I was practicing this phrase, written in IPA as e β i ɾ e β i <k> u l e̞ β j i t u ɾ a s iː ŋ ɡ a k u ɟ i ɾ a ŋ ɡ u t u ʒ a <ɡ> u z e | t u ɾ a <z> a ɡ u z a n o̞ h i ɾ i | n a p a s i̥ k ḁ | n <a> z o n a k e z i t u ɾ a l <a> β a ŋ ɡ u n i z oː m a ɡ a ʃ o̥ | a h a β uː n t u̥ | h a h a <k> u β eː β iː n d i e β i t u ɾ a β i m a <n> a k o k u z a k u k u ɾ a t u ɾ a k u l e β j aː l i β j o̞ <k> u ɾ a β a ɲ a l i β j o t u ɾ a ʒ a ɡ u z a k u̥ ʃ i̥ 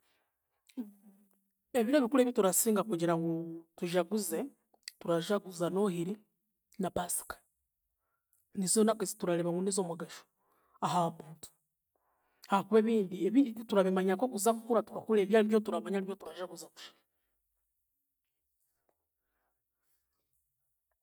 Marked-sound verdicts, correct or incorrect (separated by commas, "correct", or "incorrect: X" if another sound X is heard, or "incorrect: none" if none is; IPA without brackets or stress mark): correct, correct, incorrect: ʒ, incorrect: i, incorrect: e, correct, incorrect: ɲ, incorrect: t